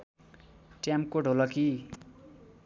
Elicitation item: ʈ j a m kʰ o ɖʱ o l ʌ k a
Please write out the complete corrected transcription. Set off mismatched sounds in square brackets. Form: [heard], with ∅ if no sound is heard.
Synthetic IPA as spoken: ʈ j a m [k] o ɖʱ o l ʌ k [i]